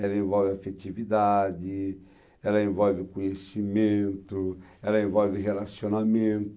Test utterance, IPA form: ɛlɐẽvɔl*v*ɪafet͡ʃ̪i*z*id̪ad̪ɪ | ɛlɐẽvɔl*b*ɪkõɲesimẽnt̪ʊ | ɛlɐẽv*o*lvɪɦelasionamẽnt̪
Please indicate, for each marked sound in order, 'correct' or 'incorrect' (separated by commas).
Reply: correct, incorrect, incorrect, incorrect